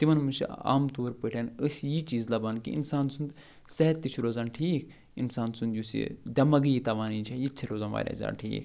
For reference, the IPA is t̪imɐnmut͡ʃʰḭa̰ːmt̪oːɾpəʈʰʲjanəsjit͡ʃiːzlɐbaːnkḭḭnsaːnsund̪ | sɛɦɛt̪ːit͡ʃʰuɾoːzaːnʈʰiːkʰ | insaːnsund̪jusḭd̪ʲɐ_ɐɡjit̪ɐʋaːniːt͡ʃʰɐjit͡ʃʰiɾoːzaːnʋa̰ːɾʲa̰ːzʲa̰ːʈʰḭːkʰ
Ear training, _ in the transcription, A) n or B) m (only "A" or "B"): B